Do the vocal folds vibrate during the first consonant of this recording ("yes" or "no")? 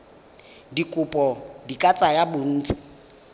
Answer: yes